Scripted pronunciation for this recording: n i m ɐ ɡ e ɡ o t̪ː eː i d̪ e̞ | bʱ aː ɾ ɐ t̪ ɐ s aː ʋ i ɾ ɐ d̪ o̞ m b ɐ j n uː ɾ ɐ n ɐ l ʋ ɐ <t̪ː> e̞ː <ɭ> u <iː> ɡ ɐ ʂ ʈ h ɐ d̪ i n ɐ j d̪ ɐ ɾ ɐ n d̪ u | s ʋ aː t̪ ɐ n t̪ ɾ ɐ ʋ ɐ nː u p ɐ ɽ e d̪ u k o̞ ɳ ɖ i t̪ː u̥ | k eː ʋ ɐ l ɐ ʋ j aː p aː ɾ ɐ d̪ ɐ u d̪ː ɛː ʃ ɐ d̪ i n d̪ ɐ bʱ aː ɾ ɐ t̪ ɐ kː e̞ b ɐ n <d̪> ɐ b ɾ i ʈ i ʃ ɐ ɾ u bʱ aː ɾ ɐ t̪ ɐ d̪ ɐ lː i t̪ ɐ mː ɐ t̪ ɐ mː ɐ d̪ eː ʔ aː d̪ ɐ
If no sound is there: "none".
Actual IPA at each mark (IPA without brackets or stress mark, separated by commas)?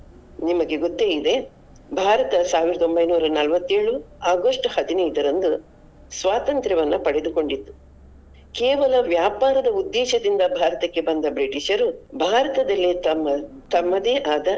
t̪ː, ɭ, aː, d̪